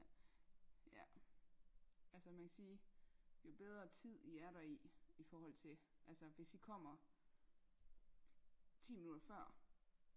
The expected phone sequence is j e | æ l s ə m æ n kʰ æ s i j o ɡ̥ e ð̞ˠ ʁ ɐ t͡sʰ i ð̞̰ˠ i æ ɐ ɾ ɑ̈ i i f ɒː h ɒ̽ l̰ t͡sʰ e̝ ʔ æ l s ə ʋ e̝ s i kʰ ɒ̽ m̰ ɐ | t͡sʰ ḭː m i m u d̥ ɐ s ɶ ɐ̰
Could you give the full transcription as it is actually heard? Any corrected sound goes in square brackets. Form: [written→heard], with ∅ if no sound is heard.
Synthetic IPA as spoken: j [e→æ] | æ l s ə m æ n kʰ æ s [i→iː] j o [ɡ̥→b̥] e ð̞ˠ ʁ ɐ t͡sʰ i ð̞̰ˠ i æ ɐ ɾ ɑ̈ i i f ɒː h ɒ̽ l̰ t͡sʰ e̝ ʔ æ l s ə ʋ e̝ s i kʰ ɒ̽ m̰ ɐ | t͡sʰ ḭː m i [m→n] u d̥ ɐ [s→f] ɶ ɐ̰